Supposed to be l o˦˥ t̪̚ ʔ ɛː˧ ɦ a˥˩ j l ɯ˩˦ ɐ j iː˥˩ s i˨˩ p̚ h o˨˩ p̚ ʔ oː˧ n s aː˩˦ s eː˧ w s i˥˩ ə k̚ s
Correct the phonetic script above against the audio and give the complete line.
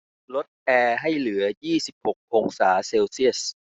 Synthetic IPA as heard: l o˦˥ t̪̚ ʔ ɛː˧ ɦ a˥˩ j l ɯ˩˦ ɐ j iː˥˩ s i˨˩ p̚ h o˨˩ k̚ ʔ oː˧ ŋ s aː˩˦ s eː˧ w s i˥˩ ə s